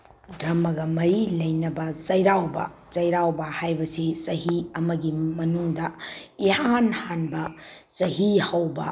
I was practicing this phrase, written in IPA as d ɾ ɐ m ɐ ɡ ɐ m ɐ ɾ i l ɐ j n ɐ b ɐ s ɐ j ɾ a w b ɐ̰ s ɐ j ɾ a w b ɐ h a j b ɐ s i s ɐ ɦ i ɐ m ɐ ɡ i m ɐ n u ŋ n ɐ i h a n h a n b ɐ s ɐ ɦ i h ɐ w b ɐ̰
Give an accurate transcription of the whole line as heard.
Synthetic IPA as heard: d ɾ ɐ m ɐ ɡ ɐ m ɐ ɾ i l ɐ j n ɐ b ɐ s ɐ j ɾ a w b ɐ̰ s ɐ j ɾ a w b ɐ h a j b ɐ s i s ɐ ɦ i ɐ m ɐ ɡ i m ɐ n u ŋ d ɐ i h a n h a n b ɐ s ɐ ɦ i h ɐ w b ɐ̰